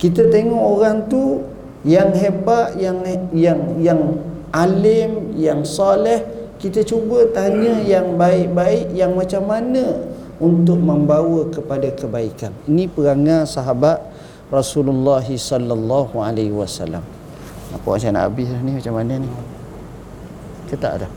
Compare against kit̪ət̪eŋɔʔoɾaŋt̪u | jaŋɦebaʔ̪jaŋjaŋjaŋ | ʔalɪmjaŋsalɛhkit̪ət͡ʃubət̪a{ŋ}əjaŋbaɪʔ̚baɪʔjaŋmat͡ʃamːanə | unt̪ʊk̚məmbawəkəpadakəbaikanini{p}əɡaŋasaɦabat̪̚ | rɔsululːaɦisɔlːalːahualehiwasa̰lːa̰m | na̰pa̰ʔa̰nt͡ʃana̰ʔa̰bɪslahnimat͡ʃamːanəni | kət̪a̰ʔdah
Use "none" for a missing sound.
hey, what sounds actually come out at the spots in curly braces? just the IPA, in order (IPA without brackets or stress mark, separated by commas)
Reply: ɲ, p